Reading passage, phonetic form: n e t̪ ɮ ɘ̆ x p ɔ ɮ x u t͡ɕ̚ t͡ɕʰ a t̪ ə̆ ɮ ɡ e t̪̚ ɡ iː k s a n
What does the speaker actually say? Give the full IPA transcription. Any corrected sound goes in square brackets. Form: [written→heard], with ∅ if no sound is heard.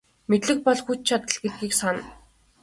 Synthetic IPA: [n→m] e t̪ ɮ ɘ̆ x p ɔ ɮ x u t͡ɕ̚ t͡ɕʰ a t̪ ə̆ ɮ ɡ e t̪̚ ɡ iː k s a n